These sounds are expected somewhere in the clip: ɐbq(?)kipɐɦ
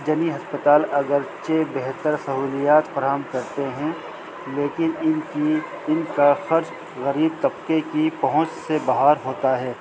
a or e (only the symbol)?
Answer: e